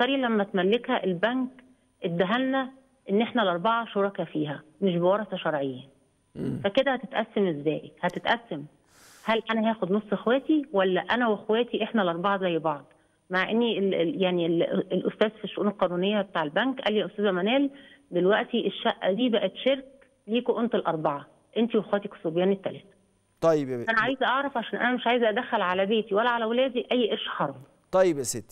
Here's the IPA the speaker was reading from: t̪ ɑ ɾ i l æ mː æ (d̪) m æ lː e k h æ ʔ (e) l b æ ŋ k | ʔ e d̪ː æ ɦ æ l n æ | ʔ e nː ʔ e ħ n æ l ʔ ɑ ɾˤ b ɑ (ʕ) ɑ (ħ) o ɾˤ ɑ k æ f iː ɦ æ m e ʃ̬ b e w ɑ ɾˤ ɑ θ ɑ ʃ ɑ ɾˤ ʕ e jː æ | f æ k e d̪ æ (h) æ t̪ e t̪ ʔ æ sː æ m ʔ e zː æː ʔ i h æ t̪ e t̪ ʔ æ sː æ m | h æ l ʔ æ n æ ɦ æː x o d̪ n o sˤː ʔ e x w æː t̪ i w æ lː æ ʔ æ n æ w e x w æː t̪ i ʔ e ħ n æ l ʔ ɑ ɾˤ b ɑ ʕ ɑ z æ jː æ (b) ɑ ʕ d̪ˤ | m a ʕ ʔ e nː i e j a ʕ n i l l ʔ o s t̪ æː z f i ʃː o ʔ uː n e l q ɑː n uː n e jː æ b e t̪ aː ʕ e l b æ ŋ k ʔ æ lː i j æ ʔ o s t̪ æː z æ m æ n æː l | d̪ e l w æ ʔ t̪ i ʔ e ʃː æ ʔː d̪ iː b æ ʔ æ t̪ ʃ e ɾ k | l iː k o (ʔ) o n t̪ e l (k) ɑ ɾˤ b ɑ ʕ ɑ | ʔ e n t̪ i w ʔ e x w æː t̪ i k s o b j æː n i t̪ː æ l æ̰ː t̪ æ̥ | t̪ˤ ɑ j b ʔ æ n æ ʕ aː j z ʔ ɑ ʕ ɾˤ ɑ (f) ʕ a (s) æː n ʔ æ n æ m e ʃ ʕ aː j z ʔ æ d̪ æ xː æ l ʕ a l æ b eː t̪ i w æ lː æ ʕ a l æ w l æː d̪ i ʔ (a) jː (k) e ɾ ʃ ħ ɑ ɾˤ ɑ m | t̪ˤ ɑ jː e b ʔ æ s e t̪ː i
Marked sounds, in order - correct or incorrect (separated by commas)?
incorrect, correct, correct, incorrect, correct, correct, correct, incorrect, correct, incorrect, incorrect, incorrect